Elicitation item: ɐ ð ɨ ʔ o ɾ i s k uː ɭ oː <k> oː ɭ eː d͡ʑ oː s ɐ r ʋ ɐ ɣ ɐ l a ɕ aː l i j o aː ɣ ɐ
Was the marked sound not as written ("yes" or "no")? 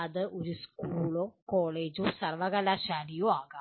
no